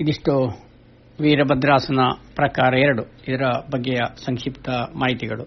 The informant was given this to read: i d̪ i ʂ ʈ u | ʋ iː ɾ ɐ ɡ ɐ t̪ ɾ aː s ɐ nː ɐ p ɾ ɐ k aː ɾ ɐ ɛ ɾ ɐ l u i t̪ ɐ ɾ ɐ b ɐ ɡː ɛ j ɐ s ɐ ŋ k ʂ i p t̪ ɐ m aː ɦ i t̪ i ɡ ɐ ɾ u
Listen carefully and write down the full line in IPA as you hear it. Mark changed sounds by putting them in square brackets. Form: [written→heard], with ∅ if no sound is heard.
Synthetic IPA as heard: i d̪ i ʂ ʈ u | ʋ iː ɾ ɐ [ɡ→b] ɐ [t̪→d̪] ɾ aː s ɐ [nː→n] ɐ p ɾ ɐ k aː ɾ ɐ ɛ ɾ ɐ [l→ɽ] u i [t̪→d̪] ɐ ɾ ɐ b ɐ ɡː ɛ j ɐ s ɐ ŋ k ʂ i p t̪ ɐ m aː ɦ i t̪ i ɡ ɐ [ɾ→ɭ] u